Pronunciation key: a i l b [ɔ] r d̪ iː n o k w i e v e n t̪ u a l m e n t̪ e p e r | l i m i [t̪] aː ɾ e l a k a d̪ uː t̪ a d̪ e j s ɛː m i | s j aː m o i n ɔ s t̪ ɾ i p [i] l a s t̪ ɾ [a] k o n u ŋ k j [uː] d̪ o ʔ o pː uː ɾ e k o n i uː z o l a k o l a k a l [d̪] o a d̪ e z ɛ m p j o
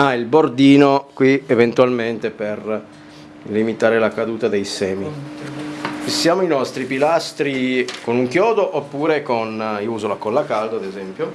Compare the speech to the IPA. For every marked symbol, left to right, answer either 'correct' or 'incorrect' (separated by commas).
incorrect, correct, correct, incorrect, incorrect, correct